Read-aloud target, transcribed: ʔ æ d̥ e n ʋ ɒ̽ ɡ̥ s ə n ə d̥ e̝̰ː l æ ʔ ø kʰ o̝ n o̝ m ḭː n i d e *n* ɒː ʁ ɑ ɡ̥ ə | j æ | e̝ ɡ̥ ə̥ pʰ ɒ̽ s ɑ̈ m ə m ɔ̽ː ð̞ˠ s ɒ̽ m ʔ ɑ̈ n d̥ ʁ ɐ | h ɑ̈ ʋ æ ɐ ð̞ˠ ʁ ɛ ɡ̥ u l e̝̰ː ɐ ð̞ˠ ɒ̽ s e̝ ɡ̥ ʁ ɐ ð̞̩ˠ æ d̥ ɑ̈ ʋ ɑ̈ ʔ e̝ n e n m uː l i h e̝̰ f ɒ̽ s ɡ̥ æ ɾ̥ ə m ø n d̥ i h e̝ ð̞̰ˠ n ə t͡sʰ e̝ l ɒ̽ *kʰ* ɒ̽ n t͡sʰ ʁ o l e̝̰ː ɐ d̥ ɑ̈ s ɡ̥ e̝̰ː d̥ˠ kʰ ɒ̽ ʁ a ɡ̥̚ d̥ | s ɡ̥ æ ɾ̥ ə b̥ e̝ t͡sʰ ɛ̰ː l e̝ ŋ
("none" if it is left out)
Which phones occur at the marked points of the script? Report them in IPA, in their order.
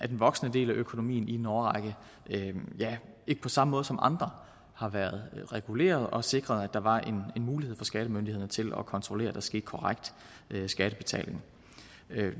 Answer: n, kʰ

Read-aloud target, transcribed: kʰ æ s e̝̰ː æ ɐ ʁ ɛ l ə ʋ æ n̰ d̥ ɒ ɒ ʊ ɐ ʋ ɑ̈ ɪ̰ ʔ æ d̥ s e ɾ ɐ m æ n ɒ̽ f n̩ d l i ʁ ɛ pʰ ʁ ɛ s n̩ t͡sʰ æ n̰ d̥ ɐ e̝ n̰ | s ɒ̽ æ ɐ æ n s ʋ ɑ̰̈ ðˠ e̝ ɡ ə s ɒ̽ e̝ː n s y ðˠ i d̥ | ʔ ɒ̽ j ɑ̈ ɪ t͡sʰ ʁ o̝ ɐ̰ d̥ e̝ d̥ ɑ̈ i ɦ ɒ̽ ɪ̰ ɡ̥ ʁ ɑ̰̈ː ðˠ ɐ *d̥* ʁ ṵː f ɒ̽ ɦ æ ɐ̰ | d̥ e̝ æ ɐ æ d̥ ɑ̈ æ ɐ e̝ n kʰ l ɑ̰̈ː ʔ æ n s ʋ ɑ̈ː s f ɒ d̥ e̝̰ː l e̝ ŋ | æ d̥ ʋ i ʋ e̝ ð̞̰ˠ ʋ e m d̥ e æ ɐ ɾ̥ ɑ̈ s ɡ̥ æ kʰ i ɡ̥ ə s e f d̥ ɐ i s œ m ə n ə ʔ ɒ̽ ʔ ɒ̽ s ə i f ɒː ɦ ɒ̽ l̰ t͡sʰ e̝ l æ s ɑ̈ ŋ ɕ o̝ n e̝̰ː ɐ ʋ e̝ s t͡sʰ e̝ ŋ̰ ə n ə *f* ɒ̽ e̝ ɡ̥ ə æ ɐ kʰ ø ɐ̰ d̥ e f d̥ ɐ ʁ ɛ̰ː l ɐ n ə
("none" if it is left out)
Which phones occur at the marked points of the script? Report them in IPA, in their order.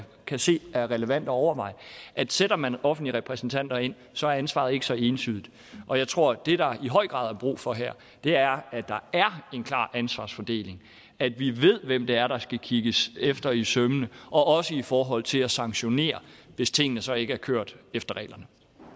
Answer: b̥, s

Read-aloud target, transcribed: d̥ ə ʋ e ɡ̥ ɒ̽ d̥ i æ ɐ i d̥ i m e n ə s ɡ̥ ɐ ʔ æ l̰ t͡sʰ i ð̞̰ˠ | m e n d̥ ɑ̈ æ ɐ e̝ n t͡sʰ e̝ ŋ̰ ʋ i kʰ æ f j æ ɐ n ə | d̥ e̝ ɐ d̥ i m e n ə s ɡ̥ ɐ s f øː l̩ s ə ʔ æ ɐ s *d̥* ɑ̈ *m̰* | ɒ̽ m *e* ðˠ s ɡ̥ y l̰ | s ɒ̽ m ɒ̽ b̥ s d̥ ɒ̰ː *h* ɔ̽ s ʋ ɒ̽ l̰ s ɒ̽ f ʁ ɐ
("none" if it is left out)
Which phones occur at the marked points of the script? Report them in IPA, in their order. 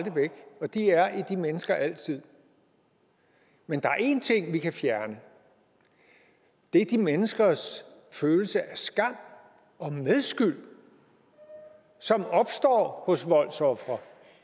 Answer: ɡ̥, m̰, e, h

